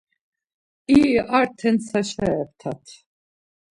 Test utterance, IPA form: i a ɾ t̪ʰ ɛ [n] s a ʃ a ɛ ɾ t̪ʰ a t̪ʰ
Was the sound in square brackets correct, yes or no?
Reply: yes